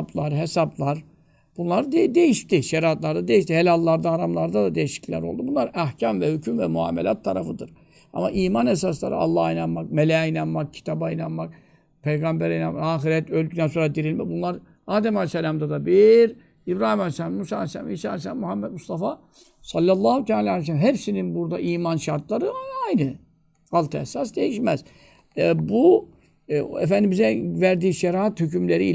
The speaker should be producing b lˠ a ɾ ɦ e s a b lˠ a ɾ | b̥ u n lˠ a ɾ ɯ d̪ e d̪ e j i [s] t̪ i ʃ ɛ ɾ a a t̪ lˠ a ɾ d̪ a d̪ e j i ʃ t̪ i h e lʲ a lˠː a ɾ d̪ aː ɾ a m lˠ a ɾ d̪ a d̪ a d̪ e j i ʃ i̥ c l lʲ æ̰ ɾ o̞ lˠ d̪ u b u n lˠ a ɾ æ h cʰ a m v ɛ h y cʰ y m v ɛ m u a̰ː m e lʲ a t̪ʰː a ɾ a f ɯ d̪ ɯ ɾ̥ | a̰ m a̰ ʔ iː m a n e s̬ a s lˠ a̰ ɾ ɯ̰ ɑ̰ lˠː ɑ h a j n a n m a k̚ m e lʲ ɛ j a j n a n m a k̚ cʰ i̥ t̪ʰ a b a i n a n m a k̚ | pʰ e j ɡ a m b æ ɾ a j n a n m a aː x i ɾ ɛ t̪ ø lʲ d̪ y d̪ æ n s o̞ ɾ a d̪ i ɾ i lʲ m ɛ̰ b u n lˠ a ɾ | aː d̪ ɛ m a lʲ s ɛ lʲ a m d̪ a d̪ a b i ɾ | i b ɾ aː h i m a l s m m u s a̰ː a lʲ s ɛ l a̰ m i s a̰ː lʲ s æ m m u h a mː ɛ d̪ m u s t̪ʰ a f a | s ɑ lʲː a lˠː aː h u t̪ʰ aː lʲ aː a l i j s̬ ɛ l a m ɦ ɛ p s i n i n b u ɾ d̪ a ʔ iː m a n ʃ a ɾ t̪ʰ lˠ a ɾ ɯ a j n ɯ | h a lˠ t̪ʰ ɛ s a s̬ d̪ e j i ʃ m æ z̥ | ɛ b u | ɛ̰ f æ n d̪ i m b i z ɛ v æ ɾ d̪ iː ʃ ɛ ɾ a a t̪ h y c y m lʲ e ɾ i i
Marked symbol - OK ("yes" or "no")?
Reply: no